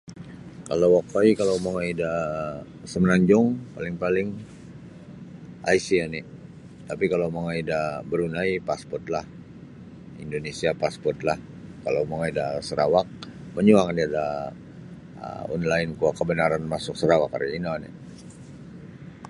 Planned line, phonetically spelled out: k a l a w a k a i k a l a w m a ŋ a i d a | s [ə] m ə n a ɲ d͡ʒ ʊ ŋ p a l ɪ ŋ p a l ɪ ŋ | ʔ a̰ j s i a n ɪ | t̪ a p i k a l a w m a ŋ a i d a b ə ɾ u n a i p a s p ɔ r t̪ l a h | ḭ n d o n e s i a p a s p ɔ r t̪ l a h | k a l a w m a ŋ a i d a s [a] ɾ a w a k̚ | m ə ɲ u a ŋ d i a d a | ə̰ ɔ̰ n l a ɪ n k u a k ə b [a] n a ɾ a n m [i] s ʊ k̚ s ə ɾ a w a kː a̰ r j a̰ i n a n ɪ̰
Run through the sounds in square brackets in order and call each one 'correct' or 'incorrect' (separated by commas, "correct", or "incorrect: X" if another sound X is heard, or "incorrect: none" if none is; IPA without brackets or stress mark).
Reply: correct, incorrect: ə, incorrect: ə, incorrect: a